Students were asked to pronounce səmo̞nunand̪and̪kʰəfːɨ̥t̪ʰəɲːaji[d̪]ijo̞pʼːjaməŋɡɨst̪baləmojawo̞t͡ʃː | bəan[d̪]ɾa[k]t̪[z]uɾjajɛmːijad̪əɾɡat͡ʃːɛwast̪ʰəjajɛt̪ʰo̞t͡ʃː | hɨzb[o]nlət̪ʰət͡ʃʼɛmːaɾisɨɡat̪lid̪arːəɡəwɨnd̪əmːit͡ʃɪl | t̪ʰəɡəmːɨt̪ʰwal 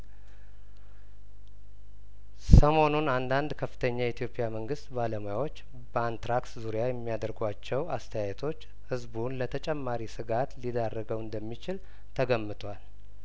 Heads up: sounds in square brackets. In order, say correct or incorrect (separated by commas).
incorrect, incorrect, correct, correct, incorrect